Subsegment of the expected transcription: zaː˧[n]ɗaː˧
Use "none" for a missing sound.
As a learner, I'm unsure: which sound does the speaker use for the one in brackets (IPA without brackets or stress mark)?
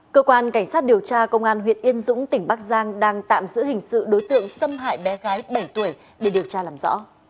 ŋ